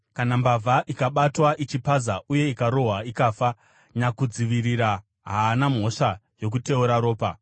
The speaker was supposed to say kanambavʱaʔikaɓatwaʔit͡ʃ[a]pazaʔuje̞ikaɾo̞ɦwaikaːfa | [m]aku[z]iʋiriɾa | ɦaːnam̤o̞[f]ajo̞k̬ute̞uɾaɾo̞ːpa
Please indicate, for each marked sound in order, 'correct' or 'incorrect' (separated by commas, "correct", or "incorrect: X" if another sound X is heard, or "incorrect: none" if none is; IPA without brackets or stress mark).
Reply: incorrect: i, incorrect: ɲ, incorrect: d͡z, incorrect: ʂ